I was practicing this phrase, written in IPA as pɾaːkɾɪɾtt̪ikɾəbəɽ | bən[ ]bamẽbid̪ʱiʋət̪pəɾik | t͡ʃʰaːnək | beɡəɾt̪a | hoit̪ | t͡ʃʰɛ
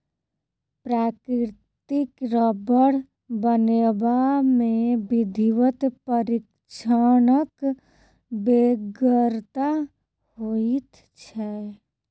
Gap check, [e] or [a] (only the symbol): e